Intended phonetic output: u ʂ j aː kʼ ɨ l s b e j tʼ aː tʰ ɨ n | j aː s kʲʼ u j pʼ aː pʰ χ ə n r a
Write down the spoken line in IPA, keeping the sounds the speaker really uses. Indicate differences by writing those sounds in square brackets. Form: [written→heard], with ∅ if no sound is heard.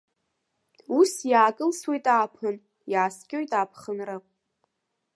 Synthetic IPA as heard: u [ʂ→s] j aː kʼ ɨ l s [b→w] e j tʼ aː [tʰ→pʰ] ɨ n | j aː s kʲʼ [u→o] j [pʼ→tʼ] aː pʰ χ ə n r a